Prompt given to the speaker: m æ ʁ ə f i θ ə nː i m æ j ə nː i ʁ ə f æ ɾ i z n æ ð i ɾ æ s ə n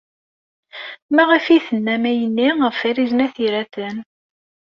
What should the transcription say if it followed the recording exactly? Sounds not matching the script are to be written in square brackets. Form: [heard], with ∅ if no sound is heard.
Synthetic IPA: m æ ʁ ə f i θ ə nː [æ] m æ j ə nː i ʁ ə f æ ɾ i z n æ [θ] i ɾ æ [θ] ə n